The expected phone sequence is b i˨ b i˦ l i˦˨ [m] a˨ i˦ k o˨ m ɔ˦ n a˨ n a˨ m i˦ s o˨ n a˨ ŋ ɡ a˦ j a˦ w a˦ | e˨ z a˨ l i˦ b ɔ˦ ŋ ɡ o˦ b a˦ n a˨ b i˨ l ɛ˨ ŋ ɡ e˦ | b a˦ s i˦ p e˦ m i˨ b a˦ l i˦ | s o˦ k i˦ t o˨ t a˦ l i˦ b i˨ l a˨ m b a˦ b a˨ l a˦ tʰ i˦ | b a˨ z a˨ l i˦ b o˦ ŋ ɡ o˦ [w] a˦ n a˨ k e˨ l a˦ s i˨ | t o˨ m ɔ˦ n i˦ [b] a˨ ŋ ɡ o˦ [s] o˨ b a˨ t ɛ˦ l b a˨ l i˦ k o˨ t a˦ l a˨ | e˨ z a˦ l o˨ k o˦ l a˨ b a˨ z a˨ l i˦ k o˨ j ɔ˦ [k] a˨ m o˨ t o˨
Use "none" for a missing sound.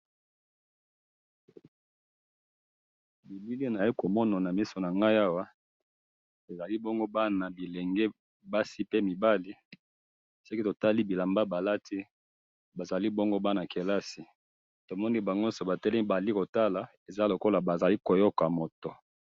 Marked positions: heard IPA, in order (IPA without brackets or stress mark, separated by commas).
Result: n, b, b, s, k